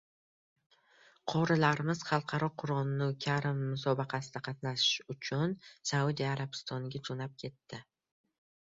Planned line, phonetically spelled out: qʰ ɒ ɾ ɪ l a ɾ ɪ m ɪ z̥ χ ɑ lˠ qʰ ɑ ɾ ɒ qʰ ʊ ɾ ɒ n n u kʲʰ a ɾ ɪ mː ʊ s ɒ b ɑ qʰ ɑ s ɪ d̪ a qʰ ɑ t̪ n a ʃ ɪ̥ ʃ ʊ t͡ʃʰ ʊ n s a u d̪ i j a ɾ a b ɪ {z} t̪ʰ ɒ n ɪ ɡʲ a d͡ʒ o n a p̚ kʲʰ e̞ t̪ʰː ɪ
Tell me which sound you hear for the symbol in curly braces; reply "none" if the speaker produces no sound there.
s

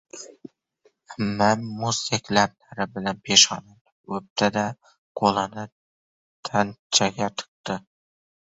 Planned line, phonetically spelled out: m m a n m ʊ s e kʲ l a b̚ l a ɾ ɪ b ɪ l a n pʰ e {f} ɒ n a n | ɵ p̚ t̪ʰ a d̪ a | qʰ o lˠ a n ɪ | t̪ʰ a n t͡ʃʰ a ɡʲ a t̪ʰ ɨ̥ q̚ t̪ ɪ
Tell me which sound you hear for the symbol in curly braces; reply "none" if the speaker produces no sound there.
ʃ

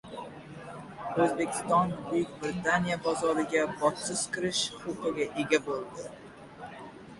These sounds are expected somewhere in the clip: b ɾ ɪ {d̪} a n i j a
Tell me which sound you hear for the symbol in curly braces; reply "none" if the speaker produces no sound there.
t̪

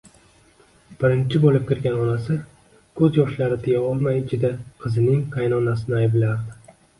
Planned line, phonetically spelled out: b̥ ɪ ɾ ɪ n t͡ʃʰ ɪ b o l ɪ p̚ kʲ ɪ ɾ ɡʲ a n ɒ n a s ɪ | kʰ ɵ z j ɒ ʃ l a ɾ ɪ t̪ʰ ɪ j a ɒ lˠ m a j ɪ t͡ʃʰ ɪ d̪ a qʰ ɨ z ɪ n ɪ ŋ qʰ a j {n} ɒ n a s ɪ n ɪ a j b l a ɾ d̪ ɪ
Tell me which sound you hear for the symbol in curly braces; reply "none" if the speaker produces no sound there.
n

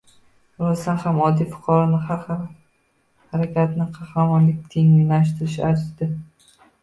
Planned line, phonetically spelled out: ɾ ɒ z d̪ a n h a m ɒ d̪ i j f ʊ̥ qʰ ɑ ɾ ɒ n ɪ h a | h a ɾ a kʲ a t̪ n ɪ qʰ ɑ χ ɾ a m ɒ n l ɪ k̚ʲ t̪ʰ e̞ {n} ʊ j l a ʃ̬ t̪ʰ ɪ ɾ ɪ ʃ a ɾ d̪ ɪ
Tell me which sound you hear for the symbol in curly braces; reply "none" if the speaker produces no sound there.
ŋ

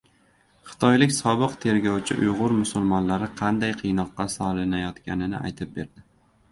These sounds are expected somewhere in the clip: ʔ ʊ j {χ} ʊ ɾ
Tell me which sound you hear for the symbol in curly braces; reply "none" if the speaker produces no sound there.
ʁ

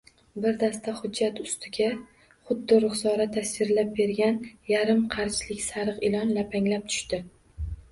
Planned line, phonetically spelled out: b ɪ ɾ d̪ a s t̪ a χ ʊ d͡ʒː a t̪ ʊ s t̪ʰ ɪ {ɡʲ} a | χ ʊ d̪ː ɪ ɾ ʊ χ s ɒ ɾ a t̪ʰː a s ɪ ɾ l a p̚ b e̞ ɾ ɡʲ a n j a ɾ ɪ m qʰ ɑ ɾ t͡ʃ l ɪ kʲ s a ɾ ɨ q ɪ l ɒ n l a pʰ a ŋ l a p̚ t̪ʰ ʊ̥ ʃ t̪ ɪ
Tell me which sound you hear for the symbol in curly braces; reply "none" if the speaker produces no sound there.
ɡʲ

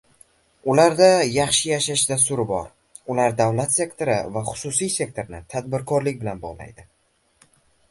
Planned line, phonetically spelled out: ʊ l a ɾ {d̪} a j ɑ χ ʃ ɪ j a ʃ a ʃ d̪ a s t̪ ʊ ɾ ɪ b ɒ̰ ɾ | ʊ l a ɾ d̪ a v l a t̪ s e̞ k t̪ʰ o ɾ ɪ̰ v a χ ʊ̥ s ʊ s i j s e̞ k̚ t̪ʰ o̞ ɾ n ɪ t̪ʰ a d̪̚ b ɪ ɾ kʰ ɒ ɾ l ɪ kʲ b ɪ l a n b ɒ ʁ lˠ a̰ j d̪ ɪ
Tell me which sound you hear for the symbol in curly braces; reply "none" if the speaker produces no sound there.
d̪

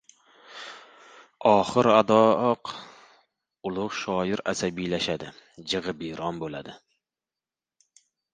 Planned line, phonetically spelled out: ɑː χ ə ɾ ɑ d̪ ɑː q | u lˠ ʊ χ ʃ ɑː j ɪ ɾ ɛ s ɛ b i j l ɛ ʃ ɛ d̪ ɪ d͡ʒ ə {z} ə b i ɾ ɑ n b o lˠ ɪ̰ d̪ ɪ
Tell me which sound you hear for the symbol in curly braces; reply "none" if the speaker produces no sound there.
ʁ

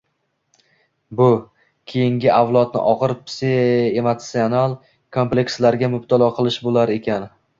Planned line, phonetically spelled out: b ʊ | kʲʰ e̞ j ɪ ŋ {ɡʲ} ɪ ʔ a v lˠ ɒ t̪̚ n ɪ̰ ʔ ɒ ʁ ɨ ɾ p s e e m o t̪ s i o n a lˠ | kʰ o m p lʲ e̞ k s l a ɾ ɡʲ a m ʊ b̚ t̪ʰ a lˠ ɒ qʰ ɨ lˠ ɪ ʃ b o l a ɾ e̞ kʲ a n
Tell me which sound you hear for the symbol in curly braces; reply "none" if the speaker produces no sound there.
ɡʲ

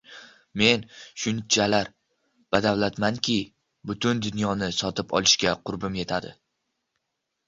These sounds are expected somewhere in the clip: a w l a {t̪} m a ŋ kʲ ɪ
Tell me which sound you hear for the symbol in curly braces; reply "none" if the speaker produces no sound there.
t̪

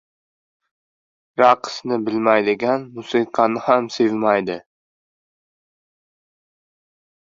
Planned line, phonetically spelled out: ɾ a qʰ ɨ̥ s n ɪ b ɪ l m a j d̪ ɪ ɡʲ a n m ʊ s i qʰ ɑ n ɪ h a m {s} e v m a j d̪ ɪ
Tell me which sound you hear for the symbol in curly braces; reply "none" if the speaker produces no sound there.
s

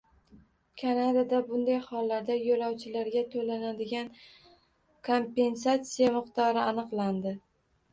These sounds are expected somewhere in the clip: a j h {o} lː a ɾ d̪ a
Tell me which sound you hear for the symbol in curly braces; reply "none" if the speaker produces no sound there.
ɒ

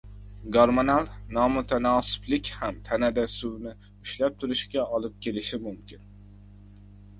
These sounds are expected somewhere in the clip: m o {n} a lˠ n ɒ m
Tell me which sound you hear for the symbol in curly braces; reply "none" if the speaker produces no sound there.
n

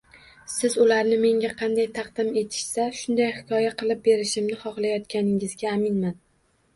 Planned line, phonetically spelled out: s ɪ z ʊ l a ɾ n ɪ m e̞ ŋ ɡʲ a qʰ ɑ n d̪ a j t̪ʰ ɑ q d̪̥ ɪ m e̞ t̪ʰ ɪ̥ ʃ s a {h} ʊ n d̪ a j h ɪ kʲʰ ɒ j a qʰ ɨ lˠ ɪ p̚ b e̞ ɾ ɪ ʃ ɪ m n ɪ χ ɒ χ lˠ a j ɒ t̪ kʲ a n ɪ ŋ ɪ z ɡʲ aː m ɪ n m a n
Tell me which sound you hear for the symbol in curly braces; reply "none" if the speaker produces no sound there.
ʃ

